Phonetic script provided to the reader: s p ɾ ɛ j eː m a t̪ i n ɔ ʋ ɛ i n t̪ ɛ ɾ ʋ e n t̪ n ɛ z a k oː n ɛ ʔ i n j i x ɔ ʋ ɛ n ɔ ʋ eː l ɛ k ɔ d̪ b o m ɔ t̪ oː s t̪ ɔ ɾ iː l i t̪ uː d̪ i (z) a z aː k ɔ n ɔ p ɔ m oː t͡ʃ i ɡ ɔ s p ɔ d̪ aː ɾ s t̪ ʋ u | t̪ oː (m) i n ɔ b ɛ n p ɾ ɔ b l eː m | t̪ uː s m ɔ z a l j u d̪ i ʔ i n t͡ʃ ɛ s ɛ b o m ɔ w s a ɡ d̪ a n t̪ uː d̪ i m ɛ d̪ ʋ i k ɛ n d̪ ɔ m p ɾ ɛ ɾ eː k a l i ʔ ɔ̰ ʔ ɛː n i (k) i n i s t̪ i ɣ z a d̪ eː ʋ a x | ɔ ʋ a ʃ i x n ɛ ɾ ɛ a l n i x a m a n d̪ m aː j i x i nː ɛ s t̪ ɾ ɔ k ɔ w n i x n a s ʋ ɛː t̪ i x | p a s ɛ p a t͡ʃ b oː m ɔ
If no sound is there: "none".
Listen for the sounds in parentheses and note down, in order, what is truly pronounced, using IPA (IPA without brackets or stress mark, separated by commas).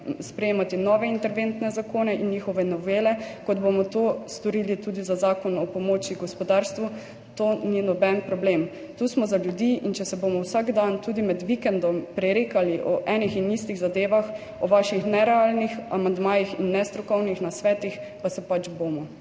z, n, x